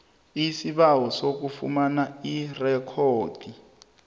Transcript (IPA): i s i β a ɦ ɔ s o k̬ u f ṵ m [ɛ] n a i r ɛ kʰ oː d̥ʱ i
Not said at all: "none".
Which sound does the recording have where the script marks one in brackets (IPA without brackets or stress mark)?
a